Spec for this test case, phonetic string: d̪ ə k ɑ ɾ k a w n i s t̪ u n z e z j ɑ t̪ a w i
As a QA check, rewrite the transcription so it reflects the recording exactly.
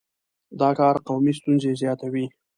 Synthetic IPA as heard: d̪ ɑ k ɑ ɾ q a w m i s t̪ u n z e z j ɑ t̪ a w i